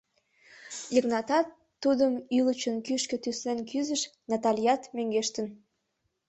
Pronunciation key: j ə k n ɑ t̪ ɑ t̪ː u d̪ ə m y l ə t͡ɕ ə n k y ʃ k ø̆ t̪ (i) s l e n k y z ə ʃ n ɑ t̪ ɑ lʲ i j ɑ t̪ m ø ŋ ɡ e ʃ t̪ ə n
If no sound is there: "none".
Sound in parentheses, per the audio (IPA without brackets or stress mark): y